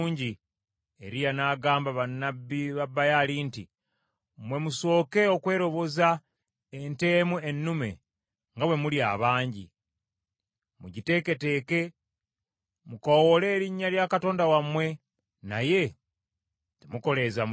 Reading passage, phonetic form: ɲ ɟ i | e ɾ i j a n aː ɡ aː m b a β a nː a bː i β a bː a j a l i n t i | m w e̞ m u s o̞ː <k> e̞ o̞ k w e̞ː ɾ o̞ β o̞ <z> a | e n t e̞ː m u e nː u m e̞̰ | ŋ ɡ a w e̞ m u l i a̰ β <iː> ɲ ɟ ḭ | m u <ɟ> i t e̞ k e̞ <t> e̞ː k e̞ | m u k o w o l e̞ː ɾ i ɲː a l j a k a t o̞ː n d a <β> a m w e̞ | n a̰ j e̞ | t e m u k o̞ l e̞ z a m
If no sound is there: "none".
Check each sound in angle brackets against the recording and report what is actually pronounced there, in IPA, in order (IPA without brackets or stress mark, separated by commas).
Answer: k, z, aː, ɟ, t, w